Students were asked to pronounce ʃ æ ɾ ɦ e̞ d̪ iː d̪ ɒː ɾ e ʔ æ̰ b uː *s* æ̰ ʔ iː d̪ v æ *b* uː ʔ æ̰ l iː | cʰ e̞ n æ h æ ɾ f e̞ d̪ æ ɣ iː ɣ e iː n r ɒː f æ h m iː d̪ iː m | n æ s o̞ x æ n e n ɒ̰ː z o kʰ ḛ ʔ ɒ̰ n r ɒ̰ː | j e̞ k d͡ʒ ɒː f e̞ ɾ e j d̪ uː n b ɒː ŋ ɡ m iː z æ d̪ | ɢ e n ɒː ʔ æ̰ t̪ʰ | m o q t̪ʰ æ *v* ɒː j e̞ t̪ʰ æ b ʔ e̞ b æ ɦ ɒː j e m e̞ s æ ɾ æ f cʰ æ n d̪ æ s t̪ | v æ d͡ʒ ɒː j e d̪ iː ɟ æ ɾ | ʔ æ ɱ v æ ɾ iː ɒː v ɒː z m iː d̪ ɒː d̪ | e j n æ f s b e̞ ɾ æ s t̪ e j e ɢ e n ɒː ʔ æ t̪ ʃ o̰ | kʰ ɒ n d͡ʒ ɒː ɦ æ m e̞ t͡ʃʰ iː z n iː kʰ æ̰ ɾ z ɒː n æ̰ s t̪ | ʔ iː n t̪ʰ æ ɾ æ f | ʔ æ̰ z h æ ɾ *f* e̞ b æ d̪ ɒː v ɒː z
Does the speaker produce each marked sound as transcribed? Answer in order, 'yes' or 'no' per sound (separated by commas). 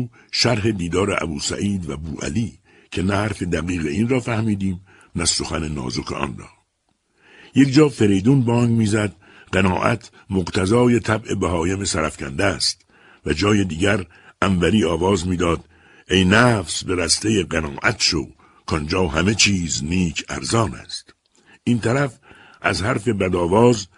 yes, yes, no, yes